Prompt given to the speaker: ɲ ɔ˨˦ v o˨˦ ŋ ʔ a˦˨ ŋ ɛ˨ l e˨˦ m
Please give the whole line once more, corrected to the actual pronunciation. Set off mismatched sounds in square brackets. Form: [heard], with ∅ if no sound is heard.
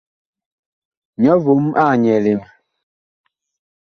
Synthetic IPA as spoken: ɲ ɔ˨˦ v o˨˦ [m] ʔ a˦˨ [ɲ] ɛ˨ l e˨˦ m